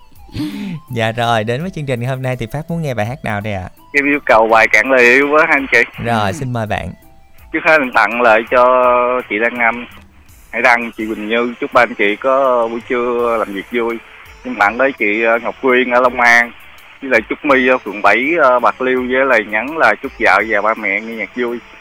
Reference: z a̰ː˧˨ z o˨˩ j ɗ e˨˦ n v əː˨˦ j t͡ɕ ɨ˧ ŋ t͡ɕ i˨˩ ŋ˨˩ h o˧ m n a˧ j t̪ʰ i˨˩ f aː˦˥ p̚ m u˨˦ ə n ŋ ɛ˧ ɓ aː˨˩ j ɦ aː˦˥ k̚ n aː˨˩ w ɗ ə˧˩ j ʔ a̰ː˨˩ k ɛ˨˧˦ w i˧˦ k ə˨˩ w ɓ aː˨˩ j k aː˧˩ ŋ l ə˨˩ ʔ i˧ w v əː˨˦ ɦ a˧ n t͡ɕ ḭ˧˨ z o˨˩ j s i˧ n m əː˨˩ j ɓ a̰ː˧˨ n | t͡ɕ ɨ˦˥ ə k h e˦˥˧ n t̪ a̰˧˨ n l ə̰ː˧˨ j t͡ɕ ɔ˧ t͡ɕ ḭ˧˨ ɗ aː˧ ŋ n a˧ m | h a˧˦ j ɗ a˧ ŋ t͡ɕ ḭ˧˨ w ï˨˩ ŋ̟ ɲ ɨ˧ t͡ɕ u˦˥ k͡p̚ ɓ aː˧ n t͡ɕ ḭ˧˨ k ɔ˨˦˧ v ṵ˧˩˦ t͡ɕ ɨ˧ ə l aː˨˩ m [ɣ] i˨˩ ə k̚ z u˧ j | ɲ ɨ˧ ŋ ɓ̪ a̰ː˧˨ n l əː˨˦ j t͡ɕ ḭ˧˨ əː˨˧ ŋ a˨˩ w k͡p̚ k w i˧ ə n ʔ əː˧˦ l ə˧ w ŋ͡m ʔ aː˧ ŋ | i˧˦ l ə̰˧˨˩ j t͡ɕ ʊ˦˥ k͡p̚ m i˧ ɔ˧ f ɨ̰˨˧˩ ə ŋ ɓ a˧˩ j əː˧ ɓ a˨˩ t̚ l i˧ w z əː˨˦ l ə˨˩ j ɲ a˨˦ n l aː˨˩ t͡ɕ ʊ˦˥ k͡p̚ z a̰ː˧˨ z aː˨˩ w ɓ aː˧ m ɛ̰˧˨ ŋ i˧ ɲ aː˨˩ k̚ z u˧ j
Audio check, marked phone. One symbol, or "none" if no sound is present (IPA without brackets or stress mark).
v